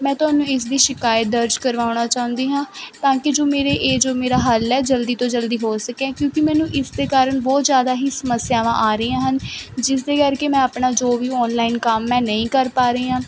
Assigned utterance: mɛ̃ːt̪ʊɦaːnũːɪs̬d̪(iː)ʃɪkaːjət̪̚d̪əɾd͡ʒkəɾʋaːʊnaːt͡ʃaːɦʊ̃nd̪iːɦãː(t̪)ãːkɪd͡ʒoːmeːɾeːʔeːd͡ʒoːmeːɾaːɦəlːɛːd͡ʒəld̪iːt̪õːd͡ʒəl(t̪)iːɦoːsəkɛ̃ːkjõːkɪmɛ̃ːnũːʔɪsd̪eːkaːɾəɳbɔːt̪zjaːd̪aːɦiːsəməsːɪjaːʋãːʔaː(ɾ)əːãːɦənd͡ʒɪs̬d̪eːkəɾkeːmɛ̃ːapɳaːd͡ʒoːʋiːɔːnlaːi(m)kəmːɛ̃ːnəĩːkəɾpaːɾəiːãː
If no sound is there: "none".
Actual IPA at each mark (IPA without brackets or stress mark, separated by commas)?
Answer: iː, t̪, d̪, ɾ, n